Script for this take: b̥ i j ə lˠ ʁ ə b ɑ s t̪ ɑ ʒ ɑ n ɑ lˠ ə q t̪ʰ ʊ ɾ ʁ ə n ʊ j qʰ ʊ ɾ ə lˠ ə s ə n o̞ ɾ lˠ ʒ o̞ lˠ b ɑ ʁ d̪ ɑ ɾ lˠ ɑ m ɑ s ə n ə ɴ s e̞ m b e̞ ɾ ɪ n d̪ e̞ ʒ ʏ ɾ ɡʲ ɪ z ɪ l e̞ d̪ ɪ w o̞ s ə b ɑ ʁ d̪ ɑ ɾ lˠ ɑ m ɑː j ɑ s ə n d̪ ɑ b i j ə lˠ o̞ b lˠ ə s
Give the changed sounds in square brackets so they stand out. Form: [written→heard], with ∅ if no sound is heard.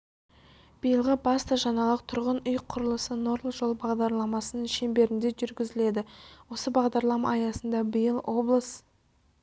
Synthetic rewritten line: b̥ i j ə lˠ ʁ ə b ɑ s t̪ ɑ ʒ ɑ n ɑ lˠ ə q t̪ʰ ʊ ɾ ʁ ə n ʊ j qʰ ʊ ɾ ə lˠ ə s ə n o̞ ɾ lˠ ʒ o̞ lˠ b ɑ ʁ d̪ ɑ ɾ lˠ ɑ m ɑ s ə n ə ɴ [s→ʃ] e̞ m b e̞ ɾ ɪ n d̪ e̞ ʒ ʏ ɾ ɡʲ ɪ z ɪ l e̞ d̪ ɪ w o̞ s ə b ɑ ʁ d̪ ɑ ɾ lˠ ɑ m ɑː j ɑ s ə n d̪ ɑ b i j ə lˠ o̞ b lˠ ə s